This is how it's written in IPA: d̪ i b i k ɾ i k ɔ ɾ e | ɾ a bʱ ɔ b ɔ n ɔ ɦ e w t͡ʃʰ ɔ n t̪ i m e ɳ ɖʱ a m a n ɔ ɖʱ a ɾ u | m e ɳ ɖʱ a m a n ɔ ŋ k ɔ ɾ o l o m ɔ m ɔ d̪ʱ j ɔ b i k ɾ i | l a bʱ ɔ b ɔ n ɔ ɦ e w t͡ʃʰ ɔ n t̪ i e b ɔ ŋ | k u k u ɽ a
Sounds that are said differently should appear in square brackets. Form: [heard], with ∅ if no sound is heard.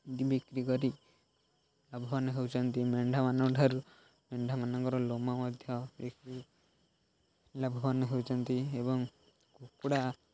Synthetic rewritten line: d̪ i b i k ɾ i k ɔ ɾ [i] | [l] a bʱ ɔ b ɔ n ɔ ɦ e w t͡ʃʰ ɔ n t̪ i m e ɳ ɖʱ a m a n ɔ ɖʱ a ɾ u | m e ɳ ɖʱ a m a n ɔ ŋ k ɔ ɾ [ɔ] l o m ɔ m ɔ d̪ʱ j ɔ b i k ɾ i | l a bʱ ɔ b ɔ n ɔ ɦ e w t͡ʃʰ ɔ n t̪ i e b ɔ ŋ | k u k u ɽ a

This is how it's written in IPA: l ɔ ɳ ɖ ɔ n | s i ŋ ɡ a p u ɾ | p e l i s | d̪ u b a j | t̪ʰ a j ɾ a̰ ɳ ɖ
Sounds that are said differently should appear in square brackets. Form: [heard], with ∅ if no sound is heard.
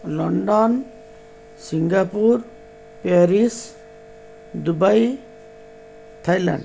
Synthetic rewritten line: l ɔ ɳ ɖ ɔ n | s i ŋ ɡ a p u ɾ | p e [ɾ] i s | d̪ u b a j | t̪ʰ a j [l] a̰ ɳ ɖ

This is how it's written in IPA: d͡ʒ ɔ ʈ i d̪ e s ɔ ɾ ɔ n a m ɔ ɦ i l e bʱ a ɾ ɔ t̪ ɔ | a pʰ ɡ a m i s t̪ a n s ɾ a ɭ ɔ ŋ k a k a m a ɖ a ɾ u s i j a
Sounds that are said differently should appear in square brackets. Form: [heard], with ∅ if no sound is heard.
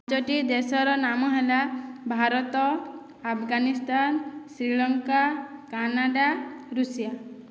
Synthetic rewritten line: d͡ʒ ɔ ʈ i d̪ e s ɔ ɾ ɔ n a m ɔ ɦ [e] l [a] bʱ a ɾ ɔ t̪ ɔ | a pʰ ɡ a [n] i s t̪ a n s ɾ [i] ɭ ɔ ŋ k a k a [n] a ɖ a ɾ u s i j a

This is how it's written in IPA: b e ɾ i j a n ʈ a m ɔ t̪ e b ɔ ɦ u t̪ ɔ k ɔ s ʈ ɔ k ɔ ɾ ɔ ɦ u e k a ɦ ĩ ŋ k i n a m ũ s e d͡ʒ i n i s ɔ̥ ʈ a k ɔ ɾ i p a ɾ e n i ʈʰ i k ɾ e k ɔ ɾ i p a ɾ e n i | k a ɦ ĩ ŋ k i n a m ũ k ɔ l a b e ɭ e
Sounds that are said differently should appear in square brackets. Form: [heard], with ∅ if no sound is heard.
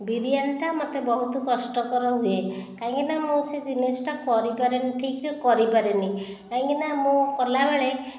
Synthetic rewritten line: b [i] ɾ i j a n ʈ a m ɔ t̪ e b ɔ ɦ u t̪ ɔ k ɔ s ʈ ɔ k ɔ ɾ ɔ ɦ u e k a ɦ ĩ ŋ k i n a m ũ s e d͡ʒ i n i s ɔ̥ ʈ a k ɔ ɾ i p a ɾ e n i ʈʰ i k ɾ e k ɔ ɾ i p a ɾ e n i | k a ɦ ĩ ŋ k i n a m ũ k ɔ l a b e ɭ e

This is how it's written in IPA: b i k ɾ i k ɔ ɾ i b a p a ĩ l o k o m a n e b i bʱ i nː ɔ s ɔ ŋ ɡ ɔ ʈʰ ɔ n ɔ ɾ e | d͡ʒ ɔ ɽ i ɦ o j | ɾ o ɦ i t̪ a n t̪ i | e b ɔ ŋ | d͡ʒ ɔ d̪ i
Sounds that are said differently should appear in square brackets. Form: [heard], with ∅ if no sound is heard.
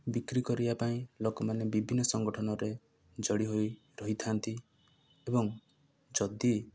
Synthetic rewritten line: b i k ɾ i k ɔ ɾ i b a p a ĩ l o k [ɔ] m a n e b i bʱ i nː ɔ s ɔ ŋ ɡ ɔ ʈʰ ɔ n ɔ ɾ e | d͡ʒ ɔ ɽ i ɦ o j | ɾ [ɔ] ɦ i [t̪ʰ] a n t̪ i | e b ɔ ŋ | d͡ʒ ɔ d̪ i

